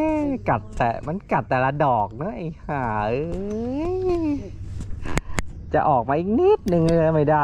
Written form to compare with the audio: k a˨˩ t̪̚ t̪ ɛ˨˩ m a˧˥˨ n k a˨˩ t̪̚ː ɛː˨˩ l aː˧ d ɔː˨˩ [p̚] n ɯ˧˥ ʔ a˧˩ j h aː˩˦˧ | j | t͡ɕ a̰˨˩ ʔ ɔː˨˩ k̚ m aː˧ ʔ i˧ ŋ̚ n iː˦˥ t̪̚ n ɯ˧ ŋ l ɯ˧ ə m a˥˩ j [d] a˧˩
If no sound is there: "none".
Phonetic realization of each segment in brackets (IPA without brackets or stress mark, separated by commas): k̚, d